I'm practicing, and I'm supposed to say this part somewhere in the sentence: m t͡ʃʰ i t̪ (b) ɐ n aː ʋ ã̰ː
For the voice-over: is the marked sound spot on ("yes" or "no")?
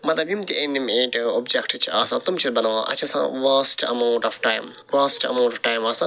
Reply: yes